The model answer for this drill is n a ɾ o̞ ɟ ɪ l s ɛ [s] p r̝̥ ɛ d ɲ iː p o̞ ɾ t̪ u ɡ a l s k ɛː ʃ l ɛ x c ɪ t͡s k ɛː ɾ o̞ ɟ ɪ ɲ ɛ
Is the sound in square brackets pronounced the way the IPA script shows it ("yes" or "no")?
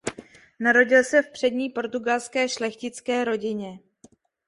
no